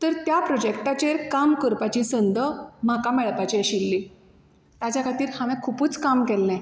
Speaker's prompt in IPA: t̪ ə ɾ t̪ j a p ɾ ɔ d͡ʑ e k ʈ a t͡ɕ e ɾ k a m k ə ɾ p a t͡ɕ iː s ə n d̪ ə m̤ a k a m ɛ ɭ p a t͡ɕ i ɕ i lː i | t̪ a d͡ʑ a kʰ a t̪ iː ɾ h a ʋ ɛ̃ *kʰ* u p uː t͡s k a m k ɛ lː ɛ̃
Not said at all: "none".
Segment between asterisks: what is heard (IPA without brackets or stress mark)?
kʰ